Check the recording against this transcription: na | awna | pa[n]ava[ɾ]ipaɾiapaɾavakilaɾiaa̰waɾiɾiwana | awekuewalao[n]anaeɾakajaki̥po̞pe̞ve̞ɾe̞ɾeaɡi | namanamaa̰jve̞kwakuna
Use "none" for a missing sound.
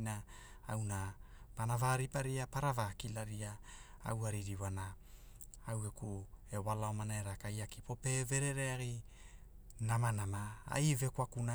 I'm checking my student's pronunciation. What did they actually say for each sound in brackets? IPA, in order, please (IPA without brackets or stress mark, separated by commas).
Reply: n, ɾ, m